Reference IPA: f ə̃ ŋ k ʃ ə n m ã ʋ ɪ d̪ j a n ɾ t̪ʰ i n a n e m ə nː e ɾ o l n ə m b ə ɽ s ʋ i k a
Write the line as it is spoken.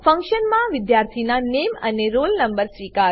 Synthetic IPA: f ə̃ ŋ k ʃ ə n m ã ʋ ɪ d̪ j a ɾ t̪ʰ i n a n e m ə n e ɾ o l n ə m b ə ɾ s ʋ i k a